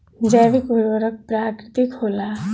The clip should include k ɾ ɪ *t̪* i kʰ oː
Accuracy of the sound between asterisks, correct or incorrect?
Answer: correct